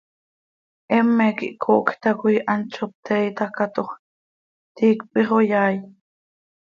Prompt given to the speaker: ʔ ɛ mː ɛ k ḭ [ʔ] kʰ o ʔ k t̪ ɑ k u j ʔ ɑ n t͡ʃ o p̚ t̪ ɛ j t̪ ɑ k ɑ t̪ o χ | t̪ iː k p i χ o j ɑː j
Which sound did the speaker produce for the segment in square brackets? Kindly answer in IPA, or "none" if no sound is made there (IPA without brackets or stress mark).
ʔ